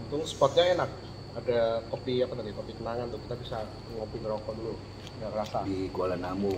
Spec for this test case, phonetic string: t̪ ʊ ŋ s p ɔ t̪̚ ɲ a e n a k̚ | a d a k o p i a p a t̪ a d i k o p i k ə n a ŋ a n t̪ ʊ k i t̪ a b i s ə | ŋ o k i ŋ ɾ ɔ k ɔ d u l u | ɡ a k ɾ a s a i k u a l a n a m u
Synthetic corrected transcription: t̪ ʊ ŋ s p ɔ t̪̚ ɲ a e n a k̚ | a d a k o p i a p a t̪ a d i k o p i k ə n a ŋ a n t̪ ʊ k i t̪ a b i s a | ŋ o p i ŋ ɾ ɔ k ɔ d u l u | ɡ a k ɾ a s a i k u a l a n a m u